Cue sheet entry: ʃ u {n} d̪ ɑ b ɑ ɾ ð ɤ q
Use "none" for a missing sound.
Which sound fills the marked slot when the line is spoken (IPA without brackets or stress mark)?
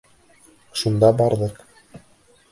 n